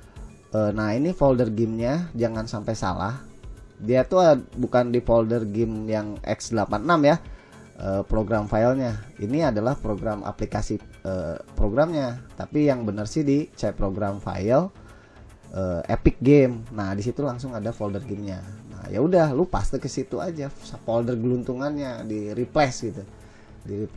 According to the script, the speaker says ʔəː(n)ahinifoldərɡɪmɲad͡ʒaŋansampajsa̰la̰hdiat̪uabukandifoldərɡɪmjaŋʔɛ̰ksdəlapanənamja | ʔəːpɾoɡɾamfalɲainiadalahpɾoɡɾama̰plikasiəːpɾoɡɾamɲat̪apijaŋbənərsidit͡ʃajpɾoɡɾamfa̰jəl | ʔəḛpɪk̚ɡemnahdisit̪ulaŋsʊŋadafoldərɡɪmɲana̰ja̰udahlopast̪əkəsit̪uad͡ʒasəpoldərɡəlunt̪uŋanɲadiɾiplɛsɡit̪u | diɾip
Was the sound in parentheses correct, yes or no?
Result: yes